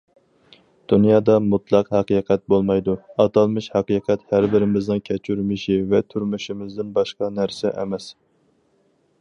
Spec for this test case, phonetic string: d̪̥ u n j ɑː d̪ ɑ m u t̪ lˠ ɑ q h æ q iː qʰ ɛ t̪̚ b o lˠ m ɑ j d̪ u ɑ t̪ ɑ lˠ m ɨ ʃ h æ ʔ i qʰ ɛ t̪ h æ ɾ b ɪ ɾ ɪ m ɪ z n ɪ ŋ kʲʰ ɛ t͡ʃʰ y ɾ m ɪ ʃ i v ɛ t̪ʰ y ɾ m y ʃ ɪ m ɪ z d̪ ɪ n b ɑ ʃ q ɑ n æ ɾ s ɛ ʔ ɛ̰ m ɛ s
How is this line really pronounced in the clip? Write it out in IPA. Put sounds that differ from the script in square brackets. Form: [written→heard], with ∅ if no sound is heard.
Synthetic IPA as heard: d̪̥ u n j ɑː d̪ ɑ m u t̪ lˠ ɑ q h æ q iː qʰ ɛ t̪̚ b o lˠ m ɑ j d̪ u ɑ t̪ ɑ lˠ m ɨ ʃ h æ [ʔ→q] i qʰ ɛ t̪ h æ ɾ b ɪ ɾ ɪ m ɪ z n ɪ ŋ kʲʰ ɛ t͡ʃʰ y ɾ m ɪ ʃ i v ɛ t̪ʰ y ɾ m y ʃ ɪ m ɪ z d̪ ɪ n b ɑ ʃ q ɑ n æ ɾ s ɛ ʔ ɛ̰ m ɛ s